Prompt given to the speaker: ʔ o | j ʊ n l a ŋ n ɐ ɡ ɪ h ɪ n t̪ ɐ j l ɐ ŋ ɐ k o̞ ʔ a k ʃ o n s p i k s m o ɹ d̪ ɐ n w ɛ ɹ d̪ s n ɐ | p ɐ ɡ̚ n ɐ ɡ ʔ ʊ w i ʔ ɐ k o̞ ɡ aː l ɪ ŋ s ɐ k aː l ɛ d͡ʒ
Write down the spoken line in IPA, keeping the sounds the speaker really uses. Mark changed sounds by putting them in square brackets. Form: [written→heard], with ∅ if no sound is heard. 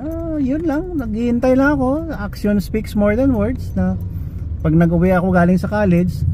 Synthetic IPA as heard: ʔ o | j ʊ n l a ŋ n ɐ ɡ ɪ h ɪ n t̪ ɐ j l ɐ ŋ ɐ k o̞ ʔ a k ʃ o n s p i k s m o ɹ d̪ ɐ n w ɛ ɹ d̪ s n ɐ | p ɐ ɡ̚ n ɐ ɡ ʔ ʊ w [i→ɛ] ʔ ɐ k o̞ ɡ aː l ɪ ŋ s ɐ k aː l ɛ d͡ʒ